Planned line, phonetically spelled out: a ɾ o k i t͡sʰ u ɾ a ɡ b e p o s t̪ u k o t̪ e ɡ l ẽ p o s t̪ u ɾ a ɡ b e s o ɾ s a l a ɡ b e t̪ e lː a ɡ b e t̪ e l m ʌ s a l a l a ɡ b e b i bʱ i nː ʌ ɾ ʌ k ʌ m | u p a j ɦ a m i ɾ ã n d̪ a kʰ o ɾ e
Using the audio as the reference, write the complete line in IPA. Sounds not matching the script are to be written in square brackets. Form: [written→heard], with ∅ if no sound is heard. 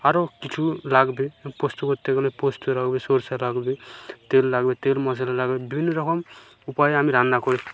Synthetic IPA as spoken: a ɾ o k i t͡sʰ u [ɾ→l] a ɡ b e p o s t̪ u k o t̪ e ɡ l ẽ p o s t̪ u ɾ a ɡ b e s o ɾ s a l a ɡ b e t̪ e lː a ɡ b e t̪ e l m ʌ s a l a l a ɡ b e b i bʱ i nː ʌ ɾ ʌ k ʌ m | u p a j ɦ a m i ɾ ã n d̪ a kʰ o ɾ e